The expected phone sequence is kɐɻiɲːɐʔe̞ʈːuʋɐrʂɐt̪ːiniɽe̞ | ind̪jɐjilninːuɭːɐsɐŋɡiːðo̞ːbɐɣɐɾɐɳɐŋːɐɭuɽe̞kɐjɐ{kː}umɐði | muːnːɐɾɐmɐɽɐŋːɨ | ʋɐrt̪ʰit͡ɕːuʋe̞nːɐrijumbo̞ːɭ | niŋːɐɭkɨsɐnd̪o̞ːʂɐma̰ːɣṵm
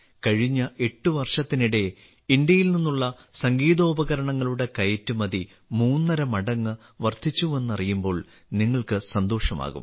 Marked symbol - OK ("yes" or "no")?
no